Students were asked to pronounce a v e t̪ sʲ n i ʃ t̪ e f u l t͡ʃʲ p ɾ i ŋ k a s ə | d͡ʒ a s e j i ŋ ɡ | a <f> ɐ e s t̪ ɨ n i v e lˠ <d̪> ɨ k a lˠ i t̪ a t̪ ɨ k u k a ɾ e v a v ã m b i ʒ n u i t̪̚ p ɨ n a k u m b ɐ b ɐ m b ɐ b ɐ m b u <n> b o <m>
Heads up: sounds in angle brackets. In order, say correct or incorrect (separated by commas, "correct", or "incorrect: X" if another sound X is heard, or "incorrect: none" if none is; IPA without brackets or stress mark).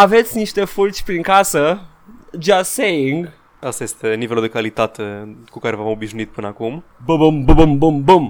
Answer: incorrect: s, correct, incorrect: m, correct